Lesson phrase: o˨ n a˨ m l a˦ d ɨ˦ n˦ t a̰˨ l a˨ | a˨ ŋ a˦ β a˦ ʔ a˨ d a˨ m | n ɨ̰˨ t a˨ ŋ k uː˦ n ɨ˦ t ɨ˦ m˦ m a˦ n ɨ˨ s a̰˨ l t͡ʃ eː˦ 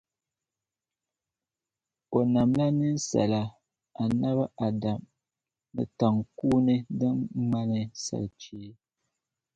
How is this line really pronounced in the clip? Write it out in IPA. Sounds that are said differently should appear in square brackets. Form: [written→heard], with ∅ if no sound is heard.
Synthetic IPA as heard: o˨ n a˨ m l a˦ [d→n] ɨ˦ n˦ [t→s] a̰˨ l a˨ | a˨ [ŋ→n] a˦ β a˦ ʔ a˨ d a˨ m | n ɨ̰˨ t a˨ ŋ k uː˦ n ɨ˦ [t→d] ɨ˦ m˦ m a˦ n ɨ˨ s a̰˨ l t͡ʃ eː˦